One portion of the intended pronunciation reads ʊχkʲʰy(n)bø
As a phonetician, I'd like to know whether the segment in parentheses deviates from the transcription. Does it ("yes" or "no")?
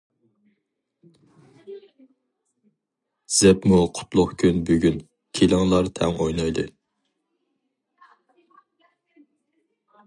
no